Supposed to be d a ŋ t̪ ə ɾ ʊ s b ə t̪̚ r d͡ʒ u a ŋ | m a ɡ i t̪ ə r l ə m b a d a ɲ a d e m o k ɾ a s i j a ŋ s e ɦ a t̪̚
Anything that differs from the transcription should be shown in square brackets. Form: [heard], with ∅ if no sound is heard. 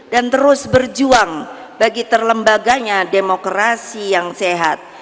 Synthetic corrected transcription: d a [n] t̪ ə ɾ ʊ s b ə [∅] r d͡ʒ u a ŋ | [b] a ɡ i t̪ ə r l ə m b a [ɡ] a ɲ a d e m o k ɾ a s i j a ŋ s e ɦ a t̪̚